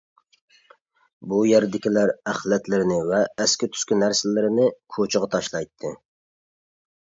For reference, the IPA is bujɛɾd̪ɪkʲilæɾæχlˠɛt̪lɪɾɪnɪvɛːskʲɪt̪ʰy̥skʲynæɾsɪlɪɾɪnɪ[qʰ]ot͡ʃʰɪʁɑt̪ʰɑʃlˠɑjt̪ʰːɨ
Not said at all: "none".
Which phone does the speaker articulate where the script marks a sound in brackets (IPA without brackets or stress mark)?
kʰ